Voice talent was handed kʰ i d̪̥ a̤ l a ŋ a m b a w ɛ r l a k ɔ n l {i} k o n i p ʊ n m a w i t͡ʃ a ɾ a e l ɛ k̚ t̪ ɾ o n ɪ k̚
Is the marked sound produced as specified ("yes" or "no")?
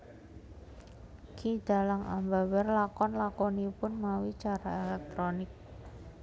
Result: no